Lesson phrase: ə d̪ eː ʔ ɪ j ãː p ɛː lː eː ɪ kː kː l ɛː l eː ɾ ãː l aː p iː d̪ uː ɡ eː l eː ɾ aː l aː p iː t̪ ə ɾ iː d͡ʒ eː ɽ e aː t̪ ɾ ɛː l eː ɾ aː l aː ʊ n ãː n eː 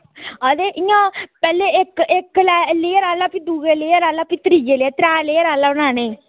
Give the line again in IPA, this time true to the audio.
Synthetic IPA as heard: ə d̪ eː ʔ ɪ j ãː p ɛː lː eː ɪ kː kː l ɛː l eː ɾ aː l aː p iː d̪ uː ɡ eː l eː ɾ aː l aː p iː t̪ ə ɾ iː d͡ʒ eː l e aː t̪ ɾ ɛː l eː ɾ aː l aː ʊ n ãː n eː